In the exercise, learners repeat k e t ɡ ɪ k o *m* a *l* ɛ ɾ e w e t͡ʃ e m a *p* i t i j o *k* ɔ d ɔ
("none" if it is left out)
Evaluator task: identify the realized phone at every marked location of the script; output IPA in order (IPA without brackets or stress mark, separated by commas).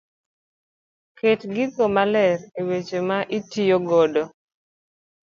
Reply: m, l, ʔ, ɡ